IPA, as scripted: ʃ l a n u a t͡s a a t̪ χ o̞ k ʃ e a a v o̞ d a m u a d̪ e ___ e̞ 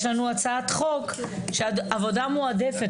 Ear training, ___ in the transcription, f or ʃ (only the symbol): f